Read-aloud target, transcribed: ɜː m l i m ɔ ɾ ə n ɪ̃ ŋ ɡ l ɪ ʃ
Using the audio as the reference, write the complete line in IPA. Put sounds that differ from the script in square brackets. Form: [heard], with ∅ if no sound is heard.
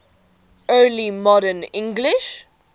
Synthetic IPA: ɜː [∅] l i m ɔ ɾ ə n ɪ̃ ŋ ɡ l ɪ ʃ